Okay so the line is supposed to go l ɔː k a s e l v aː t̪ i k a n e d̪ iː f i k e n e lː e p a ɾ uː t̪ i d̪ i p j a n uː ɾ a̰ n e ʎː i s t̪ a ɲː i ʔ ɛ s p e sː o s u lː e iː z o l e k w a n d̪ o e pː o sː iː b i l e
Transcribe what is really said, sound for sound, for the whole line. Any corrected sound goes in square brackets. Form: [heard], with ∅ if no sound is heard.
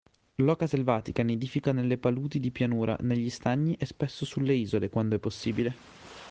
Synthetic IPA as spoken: l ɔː k a s e l v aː t̪ i k a n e d̪ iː f i k [a] n e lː e p a [l] uː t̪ i d̪ i p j a n uː ɾ a̰ n e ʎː i s t̪ a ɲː i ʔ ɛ s p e sː o s u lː e iː z o l e k w a n d̪ o [ɛ] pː o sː iː b i l e